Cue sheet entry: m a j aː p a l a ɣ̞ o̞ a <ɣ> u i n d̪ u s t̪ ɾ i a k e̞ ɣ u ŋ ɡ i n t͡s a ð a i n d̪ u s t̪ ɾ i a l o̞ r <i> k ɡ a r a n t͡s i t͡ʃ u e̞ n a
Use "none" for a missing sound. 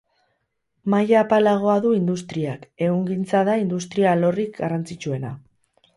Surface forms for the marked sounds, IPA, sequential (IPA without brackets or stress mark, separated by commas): ð, i